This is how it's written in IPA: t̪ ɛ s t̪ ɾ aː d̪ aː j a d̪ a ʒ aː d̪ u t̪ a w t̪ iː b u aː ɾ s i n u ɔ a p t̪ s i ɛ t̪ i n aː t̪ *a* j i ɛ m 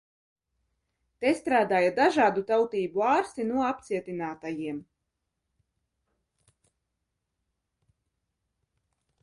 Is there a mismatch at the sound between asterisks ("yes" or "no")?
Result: no